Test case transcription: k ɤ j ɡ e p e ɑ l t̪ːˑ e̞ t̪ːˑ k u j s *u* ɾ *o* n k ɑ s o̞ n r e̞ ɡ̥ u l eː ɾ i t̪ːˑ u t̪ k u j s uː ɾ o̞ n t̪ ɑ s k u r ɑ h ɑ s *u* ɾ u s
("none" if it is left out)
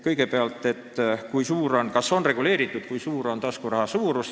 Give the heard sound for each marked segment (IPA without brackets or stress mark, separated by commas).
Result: uː, o, uː